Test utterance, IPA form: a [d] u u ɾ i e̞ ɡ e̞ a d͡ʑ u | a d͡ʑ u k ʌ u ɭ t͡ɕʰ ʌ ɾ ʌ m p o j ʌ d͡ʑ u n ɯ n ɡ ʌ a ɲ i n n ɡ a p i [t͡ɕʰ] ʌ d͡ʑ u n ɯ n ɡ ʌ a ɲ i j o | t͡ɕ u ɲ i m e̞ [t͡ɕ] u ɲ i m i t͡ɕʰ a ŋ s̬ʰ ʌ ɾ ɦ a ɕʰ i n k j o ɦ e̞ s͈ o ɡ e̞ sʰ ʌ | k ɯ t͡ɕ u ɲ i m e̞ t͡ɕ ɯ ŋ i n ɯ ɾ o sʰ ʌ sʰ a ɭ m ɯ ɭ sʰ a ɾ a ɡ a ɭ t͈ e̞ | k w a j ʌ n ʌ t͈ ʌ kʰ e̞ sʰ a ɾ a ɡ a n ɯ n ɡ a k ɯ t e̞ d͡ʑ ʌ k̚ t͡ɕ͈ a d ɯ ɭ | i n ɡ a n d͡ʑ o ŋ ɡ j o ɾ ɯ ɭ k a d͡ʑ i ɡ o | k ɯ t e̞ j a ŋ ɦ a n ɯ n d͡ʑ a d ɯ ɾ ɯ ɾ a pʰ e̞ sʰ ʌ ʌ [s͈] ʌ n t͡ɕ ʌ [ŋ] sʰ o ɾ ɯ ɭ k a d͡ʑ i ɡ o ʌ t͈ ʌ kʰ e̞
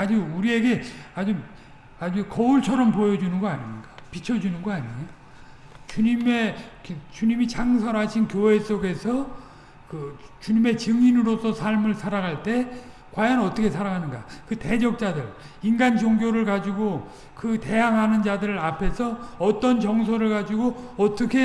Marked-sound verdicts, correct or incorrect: incorrect: d͡ʑ, correct, correct, incorrect: t͈, correct

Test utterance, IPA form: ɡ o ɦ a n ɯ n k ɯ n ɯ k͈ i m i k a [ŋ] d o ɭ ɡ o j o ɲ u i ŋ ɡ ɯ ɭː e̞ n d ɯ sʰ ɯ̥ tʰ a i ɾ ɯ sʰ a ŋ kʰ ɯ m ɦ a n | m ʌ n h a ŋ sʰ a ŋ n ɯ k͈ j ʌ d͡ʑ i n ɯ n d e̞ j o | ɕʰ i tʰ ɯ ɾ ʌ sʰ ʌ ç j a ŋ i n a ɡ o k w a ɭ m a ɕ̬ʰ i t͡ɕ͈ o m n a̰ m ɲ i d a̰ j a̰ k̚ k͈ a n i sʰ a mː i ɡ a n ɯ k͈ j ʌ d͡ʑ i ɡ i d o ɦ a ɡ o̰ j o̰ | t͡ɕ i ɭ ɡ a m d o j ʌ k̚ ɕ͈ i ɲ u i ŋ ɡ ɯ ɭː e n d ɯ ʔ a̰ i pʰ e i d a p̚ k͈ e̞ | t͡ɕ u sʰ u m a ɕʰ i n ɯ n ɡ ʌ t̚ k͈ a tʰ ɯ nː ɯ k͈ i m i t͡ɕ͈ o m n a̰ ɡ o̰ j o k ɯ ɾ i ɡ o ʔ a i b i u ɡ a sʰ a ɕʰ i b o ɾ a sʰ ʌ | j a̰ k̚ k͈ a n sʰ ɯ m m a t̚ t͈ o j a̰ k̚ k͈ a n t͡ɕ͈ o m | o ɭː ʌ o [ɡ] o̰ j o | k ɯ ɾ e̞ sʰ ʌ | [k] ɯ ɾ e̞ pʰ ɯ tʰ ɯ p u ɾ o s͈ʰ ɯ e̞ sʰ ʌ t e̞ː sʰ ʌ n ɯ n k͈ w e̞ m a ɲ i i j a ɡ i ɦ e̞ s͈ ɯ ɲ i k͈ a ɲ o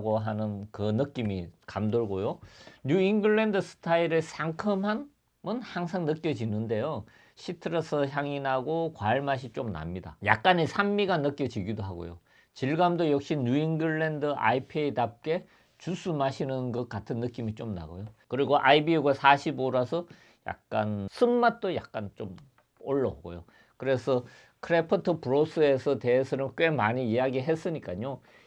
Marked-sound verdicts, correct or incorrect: incorrect: m, correct, incorrect: kʰ

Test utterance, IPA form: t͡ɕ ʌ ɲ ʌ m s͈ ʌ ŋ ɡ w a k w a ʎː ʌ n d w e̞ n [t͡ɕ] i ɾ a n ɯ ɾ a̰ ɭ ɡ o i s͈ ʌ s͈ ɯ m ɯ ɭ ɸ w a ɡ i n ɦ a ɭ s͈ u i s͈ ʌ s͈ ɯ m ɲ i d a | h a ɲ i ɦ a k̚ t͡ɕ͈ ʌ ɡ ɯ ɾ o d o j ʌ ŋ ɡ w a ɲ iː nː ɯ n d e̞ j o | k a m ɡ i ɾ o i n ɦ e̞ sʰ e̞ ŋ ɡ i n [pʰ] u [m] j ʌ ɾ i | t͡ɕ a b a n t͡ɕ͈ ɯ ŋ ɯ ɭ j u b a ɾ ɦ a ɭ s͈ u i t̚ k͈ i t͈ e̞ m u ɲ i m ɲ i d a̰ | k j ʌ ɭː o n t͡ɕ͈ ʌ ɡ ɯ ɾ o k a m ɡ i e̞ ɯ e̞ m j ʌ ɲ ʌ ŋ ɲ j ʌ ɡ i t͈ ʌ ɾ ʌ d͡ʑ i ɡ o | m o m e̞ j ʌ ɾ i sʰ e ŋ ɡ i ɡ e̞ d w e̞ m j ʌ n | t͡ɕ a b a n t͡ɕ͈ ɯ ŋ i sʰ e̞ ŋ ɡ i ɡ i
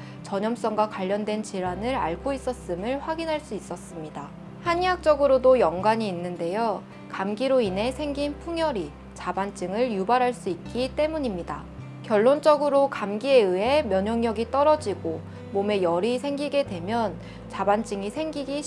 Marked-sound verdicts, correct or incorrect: correct, correct, incorrect: ŋ

